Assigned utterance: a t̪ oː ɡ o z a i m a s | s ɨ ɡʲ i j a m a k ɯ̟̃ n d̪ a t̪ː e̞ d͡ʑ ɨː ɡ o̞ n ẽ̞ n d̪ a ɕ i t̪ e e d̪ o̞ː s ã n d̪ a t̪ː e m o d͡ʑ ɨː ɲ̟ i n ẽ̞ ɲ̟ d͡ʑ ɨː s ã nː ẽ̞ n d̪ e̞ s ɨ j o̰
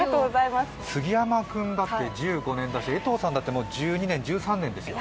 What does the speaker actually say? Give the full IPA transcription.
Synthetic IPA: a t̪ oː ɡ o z a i m a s | s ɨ ɡʲ i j a m a k ɯ̟̃ n d̪ a t̪ː e̞ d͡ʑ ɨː ɡ o̞ n ẽ̞ n d̪ a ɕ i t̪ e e t̪ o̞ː s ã n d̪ a t̪ː e m o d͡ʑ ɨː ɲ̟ i n ẽ̞ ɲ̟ d͡ʑ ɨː s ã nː ẽ̞ n d̪ e̞ s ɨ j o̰